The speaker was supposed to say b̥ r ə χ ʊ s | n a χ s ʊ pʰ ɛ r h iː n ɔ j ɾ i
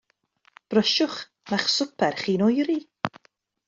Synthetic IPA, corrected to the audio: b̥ r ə ʃ ʊ χ | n a χ s ʊ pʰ ɛ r χ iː n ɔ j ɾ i